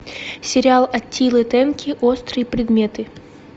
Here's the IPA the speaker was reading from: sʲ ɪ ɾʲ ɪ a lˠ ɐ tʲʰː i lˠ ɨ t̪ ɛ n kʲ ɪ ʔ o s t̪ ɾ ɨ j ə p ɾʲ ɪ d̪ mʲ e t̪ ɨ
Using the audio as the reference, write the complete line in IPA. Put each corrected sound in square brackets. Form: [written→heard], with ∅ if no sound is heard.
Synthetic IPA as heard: sʲ ɪ ɾʲ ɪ a lˠ ɐ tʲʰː i lˠ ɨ t̪ ɛ n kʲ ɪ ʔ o s t̪ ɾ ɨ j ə p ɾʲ ɪ d̪ mʲ e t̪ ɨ